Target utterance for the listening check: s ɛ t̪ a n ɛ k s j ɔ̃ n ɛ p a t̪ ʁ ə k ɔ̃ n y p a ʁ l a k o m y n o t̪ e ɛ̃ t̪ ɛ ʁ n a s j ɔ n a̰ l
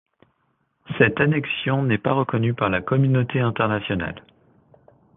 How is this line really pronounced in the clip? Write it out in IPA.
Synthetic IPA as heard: s ɛ t̪ a n ɛ k s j ɔ̃ n ɛ p a ʁ ə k ɔ n y p a ʁ l a k ɔ m y n o t̪ e ɛ̃ t̪ ɛ ʁ n a s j ɔ n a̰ l